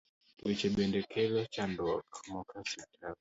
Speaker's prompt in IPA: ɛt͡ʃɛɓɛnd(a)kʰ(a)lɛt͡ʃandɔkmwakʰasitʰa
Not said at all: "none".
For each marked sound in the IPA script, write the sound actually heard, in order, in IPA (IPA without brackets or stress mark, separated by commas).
ɛ, ɛ